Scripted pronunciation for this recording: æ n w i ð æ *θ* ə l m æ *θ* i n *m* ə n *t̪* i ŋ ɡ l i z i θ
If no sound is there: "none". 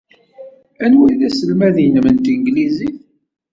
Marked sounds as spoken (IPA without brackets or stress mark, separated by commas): s, ð, m, t̪